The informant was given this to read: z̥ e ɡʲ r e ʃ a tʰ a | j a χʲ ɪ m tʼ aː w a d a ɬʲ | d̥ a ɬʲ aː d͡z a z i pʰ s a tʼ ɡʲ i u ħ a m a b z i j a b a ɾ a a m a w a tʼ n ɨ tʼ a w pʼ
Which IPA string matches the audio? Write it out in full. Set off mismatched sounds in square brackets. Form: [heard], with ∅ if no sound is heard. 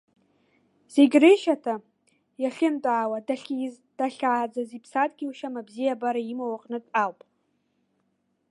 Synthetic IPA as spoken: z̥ e ɡʲ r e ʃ a tʰ a | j a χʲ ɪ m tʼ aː w a d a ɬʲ | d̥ a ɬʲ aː d͡z a z i pʰ s a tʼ ɡʲ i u [ʃ] a m a b z i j a b a ɾ a [i] m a w a [qʼ] n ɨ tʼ a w pʼ

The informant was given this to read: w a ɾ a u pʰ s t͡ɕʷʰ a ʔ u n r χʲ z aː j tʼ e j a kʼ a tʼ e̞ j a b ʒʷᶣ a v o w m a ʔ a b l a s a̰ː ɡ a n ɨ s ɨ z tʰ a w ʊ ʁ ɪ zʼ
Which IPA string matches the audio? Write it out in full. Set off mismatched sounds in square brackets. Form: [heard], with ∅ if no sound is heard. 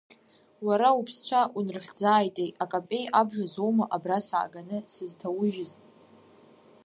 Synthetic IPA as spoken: w a ɾ a u pʰ s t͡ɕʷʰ a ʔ u n r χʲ [d͡z] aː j tʼ e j a kʼ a [pʼ] e̞ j a b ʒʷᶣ a [z] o w m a ʔ a b [r] a s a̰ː ɡ a n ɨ s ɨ z tʰ a w ʊ [ʒ] ɪ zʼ

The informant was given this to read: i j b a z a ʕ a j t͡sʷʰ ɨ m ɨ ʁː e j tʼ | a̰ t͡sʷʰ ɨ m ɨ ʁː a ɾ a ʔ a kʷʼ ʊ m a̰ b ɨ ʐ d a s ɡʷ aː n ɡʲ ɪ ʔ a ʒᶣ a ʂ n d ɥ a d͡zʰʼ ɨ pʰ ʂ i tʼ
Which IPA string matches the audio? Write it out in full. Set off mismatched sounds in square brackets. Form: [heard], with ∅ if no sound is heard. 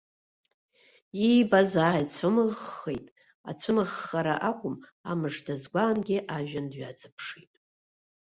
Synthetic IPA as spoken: i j b a z a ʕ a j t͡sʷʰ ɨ m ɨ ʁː e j tʼ | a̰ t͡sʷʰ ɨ m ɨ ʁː a ɾ a ʔ a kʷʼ ʊ m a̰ [m] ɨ ʐ d a [z] ɡʷ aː n ɡʲ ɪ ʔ a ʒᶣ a [∅] n d ɥ a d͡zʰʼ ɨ pʰ ʂ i tʼ

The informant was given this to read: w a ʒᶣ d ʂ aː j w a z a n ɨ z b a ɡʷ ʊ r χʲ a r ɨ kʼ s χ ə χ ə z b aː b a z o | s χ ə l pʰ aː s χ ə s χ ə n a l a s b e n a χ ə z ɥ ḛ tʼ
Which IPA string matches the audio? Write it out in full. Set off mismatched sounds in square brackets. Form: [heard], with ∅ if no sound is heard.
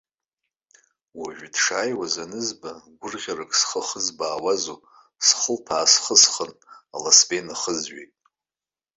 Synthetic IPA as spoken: w a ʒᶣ d ʂ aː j w a z a n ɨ z b a ɡʷ ʊ r [ʁʲ] a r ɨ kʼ s χ ə χ ə z b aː [w] a z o | s χ ə l pʰ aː s χ ə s χ ə n a l a s b e n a χ ə z ɥ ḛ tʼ

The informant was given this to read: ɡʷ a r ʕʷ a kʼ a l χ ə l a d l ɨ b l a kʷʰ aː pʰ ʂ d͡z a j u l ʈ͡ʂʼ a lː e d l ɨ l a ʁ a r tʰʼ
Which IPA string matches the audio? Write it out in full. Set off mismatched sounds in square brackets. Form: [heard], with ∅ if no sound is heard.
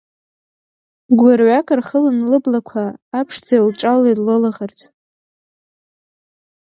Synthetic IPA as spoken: ɡʷ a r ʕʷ a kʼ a [r] χ ə l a [n] l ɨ b l a kʷʰ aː pʰ ʂ d͡z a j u l ʈ͡ʂʼ a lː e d l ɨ l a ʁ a r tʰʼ

